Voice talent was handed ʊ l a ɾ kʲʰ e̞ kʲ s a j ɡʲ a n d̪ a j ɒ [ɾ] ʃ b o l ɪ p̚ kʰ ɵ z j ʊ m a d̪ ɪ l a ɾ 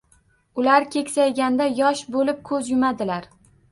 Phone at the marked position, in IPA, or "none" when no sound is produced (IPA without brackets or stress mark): none